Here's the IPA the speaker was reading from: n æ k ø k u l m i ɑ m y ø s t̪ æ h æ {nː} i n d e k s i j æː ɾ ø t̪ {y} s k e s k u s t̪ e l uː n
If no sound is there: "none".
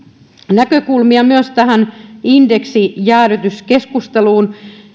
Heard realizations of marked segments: n, y

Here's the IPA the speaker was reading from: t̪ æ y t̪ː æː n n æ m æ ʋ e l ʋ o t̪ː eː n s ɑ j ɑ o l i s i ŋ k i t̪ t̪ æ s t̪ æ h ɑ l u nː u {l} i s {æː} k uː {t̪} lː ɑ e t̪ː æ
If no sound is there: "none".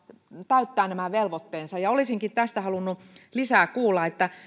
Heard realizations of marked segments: l, æː, none

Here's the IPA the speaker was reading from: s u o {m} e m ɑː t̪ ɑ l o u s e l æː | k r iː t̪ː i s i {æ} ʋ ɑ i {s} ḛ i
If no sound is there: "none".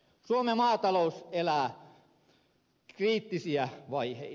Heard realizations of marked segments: m, æ, h

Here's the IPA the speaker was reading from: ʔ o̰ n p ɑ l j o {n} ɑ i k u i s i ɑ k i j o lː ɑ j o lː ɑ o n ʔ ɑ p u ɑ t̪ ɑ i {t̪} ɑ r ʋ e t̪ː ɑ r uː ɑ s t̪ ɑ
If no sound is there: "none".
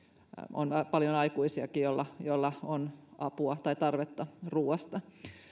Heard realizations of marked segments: n, t̪

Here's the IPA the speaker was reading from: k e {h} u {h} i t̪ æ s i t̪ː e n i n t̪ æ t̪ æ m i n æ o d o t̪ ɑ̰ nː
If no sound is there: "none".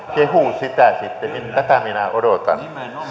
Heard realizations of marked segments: h, s

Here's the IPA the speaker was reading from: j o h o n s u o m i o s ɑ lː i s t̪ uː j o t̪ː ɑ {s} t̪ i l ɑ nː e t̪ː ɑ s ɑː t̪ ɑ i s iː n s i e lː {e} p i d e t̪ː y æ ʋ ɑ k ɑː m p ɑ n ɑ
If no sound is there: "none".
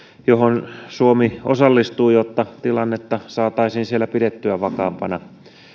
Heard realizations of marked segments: none, æ

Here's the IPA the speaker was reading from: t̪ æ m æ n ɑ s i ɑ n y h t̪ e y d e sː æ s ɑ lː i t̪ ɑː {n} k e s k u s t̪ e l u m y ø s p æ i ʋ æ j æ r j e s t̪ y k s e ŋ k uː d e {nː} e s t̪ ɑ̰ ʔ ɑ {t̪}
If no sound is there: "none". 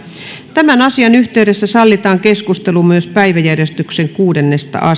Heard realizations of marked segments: ŋ, nː, none

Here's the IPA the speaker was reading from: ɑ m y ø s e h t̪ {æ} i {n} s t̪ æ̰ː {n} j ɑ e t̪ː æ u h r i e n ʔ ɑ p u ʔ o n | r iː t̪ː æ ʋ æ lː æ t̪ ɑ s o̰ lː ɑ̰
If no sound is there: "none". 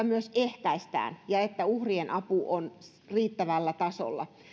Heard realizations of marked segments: æ, none, n

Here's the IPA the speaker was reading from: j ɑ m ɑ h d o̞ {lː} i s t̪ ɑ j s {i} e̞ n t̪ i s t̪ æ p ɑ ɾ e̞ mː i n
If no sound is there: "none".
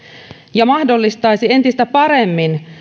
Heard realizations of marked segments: lː, i

